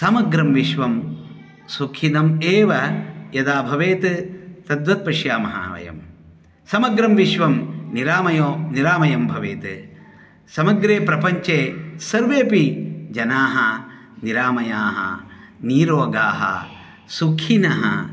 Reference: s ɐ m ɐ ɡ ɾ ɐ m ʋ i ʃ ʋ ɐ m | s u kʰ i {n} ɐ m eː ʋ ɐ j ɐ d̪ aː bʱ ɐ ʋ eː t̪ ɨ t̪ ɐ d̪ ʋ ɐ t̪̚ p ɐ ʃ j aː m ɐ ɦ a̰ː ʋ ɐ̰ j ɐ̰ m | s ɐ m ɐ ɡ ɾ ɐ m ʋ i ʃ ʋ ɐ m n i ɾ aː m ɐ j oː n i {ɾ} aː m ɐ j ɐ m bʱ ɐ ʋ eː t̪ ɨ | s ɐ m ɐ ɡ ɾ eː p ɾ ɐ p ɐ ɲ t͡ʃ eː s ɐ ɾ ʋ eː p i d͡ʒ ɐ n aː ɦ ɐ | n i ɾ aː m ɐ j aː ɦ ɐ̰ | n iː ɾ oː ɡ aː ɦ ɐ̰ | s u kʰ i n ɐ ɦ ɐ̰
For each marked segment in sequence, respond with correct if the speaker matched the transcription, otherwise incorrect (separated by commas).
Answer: correct, correct